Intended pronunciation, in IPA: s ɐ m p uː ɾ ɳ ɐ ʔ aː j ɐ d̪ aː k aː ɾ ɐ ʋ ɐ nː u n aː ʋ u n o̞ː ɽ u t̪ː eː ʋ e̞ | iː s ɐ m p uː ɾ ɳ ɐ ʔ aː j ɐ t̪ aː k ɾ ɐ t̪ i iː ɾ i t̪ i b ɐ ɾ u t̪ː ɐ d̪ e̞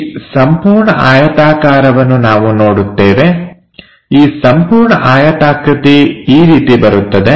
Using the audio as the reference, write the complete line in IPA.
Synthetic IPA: s ɐ m p uː ɾ ɳ ɐ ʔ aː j ɐ t̪ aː k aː ɾ ɐ ʋ ɐ nː u n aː ʋ u n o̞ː ɽ u t̪ː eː ʋ e̞ | iː s ɐ m p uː ɾ ɳ ɐ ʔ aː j ɐ t̪ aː k ɾ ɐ t̪ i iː ɾ iː t̪ i b ɐ ɾ u t̪ː ɐ d̪ e̞

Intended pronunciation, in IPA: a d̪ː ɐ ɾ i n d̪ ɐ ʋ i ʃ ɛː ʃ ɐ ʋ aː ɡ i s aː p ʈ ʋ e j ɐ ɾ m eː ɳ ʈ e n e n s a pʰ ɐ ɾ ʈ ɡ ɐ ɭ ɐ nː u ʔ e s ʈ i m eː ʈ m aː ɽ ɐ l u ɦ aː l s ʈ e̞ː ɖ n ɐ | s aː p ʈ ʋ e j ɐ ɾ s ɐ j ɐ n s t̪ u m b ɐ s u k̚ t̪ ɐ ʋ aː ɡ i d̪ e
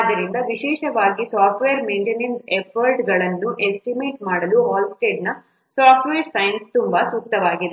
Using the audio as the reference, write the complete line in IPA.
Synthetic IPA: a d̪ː ɐ ɾ i n d̪ ɐ ʋ i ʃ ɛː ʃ ɐ ʋ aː ɡ i s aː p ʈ ʋ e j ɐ ɾ m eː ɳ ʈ e n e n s e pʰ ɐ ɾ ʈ ɡ ɐ ɭ ɐ nː u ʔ e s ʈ i m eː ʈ m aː ɽ ɐ l u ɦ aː l s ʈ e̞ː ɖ n ɐ | s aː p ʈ ʋ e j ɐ ɾ s ɐ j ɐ n s t̪ u m b ɐ s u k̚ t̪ ɐ ʋ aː ɡ i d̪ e

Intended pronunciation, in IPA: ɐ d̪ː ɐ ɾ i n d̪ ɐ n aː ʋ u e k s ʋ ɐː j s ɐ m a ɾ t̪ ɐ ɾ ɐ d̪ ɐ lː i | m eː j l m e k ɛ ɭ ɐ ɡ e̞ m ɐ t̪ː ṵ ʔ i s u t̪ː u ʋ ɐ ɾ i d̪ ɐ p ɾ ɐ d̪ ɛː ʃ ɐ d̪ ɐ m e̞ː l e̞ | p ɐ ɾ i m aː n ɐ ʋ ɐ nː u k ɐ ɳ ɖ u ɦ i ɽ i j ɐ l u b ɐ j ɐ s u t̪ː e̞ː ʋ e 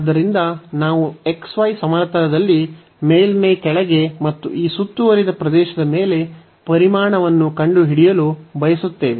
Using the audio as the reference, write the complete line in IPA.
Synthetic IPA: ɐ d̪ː ɐ ɾ i n d̪ ɐ n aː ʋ u e k s ʋ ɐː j s ɐ m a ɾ t̪ ɐ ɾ ɐ d̪ ɐ lː i | m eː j l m e k ɛ ɭ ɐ ɡ e̞ m ɐ t̪ː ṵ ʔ iː s u t̪ː u ʋ ɐ ɾ i d̪ ɐ p ɾ ɐ d̪ ɛː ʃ ɐ d̪ ɐ m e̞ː l e̞ | p ɐ ɾ i m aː ɳ ɐ ʋ ɐ nː u k ɐ ɳ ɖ u ɦ i ɽ i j ɐ l u b ɐ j ɐ s u t̪ː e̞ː ʋ e

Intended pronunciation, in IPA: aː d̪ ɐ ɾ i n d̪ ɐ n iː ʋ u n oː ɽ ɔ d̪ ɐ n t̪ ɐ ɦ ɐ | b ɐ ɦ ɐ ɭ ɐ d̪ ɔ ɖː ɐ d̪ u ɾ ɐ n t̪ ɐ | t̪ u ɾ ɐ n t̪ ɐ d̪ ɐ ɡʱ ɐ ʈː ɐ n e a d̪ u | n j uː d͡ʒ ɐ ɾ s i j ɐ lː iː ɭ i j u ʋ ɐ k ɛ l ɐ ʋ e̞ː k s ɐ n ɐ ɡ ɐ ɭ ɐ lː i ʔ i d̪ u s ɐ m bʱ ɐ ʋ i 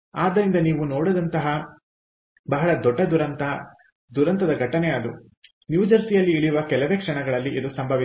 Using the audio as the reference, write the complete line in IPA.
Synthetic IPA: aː d̪ ɐ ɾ i n d̪ ɐ n iː ʋ u n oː ɽ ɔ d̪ ɐ n t̪ ɐ ɦ ɐ | b ɐ ɦ ɐ ɭ ɐ d̪ ɔ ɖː ɐ d̪ u ɾ ɐ n t̪ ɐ | d̪ u ɾ ɐ n t̪ ɐ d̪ ɐ ɡʱ ɐ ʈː ɐ n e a d̪ u | n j uː d͡ʒ ɐ ɾ s i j ɐ lː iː ɭ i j u ʋ ɐ k ɛ l ɐ ʋ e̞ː k ʂ ɐ ɳ ɐ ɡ ɐ ɭ ɐ lː i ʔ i d̪ u s ɐ m bʱ ɐ ʋ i

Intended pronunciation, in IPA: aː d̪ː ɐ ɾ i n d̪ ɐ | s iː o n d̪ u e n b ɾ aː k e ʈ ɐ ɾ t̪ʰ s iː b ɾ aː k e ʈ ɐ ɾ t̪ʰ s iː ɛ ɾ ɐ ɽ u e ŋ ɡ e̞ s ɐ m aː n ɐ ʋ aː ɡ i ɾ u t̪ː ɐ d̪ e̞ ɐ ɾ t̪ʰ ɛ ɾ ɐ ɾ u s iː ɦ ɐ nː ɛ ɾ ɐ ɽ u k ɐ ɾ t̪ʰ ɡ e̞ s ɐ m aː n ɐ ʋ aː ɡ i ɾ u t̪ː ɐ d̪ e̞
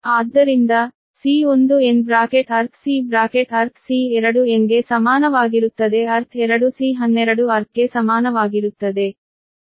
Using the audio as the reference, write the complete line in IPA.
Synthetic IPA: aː d̪ː ɐ ɾ i n d̪ ɐ | s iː o n d̪ u e n b ɾ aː k e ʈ ɐ ɾ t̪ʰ s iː b ɾ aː k e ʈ ɐ ɾ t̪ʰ s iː ɛ ɾ ɐ ɽ u e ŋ ɡ e̞ s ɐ m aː n ɐ ʋ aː ɡ i ɾ u t̪ː ɐ d̪ e̞ ɐ ɾ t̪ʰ ɛ ɾ ɐ ɽ u s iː ɦ ɐ nː ɛ ɾ ɐ ɽ u ɐ ɾ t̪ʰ ɡ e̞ s ɐ m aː n ɐ ʋ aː ɡ i ɾ u t̪ː ɐ d̪ e̞

